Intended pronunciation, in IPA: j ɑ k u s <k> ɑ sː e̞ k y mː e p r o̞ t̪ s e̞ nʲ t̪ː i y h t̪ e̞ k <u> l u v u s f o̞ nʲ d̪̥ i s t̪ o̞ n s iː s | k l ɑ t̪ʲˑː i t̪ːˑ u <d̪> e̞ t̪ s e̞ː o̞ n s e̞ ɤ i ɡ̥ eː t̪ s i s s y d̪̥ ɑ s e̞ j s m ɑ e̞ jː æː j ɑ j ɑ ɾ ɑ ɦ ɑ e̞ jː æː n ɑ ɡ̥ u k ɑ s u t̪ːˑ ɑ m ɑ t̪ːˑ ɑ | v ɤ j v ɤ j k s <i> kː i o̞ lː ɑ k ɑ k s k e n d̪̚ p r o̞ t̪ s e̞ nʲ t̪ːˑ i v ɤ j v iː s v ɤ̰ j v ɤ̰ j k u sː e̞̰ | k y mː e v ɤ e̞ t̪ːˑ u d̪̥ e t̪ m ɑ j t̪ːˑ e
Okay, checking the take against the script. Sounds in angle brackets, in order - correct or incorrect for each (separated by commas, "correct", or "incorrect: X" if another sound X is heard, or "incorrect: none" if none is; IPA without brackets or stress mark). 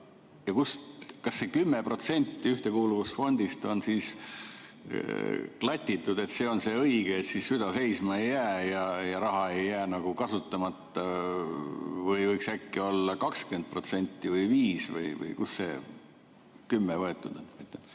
correct, incorrect: uː, correct, incorrect: æ